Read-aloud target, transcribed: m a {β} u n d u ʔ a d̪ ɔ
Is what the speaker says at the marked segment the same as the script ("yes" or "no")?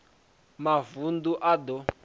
no